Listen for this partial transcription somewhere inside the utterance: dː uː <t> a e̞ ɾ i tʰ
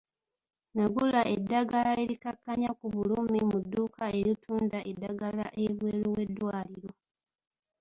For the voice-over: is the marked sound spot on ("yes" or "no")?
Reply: no